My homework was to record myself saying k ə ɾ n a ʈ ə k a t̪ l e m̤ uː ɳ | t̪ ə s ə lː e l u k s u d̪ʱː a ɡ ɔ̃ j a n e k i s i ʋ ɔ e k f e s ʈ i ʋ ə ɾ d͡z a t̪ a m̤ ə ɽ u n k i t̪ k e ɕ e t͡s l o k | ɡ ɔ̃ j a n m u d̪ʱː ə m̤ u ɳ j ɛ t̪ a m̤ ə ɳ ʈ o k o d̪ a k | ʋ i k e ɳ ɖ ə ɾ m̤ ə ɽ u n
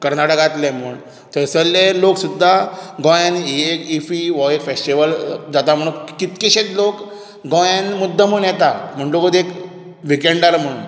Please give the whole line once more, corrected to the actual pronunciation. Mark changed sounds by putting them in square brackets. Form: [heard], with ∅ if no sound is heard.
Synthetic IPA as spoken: k ə ɾ n a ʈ ə k a t̪ l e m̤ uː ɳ | t̪ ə s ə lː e l [o] k s u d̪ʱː a ɡ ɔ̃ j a n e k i [f] i ʋ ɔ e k f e s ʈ i ʋ ə [l] d͡z a t̪ a m̤ ə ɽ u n k i t̪ k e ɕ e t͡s l o k | ɡ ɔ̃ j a n m u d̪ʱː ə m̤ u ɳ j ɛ t̪ a m̤ ə ɳ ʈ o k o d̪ [e] k | ʋ i k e ɳ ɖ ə ɾ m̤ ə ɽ u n